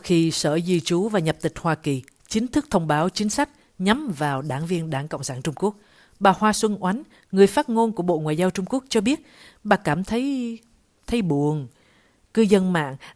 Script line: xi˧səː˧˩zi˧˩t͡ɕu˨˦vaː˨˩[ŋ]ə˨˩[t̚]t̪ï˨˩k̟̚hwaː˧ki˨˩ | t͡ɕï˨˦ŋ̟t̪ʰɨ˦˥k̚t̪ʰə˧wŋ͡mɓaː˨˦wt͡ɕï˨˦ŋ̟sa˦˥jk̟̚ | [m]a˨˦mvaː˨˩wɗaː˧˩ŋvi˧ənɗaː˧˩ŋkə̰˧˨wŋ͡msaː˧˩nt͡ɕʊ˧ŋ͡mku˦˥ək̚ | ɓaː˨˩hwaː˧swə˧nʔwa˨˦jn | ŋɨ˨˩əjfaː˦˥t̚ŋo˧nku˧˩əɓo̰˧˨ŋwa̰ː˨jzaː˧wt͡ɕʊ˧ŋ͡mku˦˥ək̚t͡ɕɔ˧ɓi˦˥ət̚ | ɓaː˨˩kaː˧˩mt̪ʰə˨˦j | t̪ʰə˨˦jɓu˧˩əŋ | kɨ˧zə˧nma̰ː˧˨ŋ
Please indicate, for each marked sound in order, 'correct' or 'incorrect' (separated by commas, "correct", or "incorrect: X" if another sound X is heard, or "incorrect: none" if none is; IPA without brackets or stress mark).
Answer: incorrect: ɲ, incorrect: p̚, incorrect: ɲ